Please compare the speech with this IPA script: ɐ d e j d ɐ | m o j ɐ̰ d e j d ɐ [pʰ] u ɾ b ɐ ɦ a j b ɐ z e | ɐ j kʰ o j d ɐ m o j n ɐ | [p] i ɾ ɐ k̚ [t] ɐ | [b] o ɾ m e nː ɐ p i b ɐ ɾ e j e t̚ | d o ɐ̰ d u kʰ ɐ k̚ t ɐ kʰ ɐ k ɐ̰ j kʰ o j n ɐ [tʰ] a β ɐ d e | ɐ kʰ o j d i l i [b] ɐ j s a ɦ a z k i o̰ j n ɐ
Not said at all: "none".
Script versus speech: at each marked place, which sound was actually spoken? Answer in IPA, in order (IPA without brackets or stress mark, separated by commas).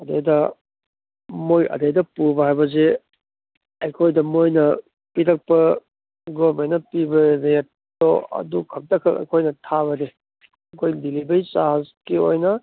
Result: p, p, p, ɡ, tʰ, b